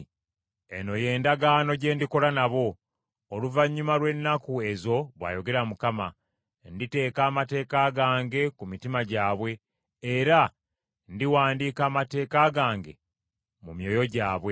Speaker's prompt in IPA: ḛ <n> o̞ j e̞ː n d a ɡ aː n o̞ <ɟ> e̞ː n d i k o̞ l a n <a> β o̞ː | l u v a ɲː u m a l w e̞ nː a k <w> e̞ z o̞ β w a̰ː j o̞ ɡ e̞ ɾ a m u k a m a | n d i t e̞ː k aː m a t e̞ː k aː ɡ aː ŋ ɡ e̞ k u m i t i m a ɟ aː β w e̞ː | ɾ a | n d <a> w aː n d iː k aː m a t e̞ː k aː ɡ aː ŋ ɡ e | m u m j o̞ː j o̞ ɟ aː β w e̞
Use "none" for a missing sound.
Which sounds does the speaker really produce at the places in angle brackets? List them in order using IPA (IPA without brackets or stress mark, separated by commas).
n, ɟ, a, u, i